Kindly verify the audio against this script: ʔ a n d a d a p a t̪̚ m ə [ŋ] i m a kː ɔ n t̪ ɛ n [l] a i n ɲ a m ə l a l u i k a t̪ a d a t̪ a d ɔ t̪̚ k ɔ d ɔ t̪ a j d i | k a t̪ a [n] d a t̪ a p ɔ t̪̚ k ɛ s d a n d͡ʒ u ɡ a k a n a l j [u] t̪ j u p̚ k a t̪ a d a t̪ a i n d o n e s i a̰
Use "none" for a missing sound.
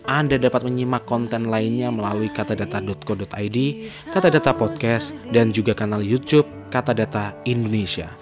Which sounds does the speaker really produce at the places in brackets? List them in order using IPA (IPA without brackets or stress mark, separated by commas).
ɲ, l, none, u